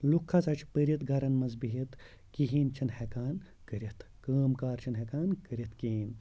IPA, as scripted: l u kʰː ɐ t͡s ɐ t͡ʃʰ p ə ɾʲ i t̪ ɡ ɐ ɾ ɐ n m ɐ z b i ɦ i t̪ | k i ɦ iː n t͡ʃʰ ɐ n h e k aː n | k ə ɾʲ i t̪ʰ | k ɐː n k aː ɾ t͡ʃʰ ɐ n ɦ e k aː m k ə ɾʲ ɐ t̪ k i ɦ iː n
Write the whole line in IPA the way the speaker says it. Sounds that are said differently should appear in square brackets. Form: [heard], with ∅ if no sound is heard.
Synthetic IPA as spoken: l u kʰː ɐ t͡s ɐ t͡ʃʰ p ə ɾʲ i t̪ ɡ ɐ ɾ ɐ n m ɐ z b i ɦ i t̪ | k i ɦ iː n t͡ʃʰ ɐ n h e k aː n | k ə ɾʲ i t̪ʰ | k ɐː [m] k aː ɾ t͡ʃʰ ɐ n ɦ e k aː [n] k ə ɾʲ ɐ t̪ k i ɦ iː n